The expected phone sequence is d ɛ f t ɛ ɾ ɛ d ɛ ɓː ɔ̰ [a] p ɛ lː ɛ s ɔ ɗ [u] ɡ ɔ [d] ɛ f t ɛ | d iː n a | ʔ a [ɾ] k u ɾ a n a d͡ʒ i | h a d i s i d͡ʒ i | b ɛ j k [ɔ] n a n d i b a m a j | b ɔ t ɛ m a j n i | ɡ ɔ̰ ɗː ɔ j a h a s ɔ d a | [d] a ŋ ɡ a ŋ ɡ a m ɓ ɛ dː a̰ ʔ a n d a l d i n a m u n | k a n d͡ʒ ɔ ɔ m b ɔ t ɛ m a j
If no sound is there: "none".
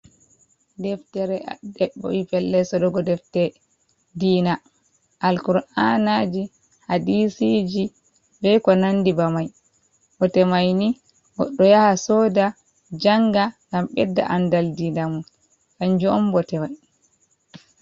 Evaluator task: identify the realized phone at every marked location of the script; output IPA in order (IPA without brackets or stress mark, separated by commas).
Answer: i, ɔ, d, l, ɔ, d͡ʒ